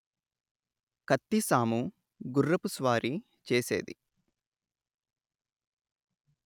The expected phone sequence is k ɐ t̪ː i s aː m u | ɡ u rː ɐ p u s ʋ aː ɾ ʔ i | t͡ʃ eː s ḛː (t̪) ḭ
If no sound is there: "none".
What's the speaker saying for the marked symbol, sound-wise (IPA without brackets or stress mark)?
d̪